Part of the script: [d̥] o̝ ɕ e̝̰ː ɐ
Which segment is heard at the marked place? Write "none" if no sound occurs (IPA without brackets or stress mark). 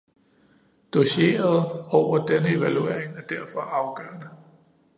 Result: d̥